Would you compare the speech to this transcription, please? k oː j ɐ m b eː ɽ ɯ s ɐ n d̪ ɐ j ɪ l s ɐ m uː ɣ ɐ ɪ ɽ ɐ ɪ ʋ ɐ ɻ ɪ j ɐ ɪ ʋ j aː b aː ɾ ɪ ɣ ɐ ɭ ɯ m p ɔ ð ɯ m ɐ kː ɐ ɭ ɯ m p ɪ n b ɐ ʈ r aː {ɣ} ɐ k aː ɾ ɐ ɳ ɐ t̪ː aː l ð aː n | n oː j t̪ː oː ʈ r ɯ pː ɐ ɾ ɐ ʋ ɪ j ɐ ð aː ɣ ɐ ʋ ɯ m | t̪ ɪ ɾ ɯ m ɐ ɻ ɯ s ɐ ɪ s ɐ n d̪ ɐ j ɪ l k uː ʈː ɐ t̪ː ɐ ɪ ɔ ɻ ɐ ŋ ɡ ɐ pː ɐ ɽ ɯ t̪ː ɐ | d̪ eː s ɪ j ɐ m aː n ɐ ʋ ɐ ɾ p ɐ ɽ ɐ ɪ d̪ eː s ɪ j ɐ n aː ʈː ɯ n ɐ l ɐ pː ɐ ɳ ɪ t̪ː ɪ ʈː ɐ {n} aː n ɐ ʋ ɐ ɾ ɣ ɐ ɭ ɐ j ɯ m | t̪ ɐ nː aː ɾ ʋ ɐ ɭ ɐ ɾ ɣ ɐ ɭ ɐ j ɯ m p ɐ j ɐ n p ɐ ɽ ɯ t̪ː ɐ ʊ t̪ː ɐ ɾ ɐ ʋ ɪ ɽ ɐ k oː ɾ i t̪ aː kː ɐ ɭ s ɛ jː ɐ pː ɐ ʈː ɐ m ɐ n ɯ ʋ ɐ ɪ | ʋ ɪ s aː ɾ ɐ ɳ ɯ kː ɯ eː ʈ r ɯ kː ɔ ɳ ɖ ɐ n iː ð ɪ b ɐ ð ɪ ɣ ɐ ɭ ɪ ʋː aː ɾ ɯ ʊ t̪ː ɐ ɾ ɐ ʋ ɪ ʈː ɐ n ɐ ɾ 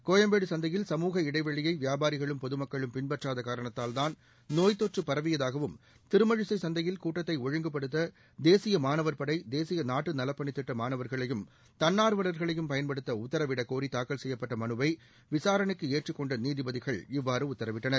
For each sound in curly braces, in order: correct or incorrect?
incorrect: ð, incorrect: m

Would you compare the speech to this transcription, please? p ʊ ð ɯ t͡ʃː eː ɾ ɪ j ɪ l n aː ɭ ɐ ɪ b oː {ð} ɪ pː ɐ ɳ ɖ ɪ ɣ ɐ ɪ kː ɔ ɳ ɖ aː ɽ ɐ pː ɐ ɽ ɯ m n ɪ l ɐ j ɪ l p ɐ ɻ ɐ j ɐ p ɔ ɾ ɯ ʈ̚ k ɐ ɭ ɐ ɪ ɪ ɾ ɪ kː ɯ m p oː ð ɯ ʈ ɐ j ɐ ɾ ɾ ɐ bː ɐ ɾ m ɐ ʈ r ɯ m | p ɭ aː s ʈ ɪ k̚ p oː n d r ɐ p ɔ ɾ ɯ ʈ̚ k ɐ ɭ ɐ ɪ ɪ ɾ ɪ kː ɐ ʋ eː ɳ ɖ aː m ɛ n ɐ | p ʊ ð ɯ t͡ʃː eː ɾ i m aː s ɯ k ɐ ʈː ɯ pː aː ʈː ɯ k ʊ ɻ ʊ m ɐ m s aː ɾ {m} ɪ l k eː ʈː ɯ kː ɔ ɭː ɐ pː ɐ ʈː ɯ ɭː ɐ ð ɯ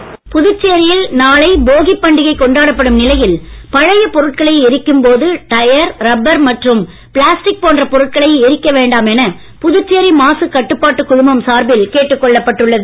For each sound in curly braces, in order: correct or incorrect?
incorrect: ɣ, incorrect: b

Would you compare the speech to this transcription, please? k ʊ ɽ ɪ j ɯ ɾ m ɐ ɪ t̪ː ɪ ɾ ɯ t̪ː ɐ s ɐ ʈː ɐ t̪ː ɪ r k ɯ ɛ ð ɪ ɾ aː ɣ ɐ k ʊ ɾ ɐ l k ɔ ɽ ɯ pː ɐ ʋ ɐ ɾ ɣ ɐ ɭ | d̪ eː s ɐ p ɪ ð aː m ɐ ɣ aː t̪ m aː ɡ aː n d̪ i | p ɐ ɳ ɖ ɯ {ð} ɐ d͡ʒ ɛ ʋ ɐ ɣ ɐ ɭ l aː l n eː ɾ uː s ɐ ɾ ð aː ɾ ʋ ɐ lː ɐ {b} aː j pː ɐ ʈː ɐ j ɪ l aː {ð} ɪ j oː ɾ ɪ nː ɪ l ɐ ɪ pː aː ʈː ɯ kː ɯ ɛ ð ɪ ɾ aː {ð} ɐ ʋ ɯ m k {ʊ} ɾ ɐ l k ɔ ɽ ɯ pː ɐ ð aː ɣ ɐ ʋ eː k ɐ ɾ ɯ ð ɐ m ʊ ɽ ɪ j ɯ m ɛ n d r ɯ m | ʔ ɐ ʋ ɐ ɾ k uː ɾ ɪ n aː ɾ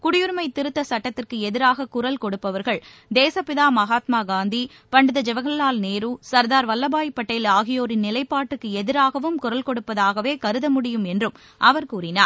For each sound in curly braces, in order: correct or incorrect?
correct, correct, incorrect: ɣ, incorrect: ɣ, correct

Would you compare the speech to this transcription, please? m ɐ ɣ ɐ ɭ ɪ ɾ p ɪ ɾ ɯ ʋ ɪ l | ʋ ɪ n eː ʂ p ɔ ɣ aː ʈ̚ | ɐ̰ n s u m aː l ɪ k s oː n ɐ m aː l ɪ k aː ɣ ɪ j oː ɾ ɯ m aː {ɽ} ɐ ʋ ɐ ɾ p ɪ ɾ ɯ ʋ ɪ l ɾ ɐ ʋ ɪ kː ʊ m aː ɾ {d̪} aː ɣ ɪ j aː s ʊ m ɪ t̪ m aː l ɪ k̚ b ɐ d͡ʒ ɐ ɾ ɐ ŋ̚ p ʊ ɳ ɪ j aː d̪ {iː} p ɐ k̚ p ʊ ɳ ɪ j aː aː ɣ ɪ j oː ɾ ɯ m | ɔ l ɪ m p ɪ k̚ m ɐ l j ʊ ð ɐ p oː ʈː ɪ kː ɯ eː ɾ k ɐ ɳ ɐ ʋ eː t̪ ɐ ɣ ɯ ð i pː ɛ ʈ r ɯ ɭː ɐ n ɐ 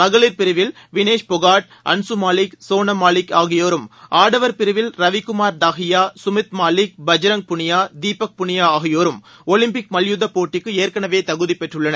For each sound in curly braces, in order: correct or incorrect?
correct, correct, correct

